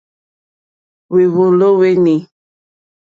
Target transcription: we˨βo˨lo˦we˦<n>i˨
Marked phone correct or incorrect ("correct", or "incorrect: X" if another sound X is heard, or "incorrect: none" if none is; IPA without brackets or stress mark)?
correct